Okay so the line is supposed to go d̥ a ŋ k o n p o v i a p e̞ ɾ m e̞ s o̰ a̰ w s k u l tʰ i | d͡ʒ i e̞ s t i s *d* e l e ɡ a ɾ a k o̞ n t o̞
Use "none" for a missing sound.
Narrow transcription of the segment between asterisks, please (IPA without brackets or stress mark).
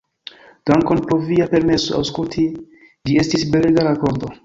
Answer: b